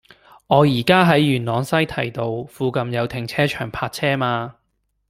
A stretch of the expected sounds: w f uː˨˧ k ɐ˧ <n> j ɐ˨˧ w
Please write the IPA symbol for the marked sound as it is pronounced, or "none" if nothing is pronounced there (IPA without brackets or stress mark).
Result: m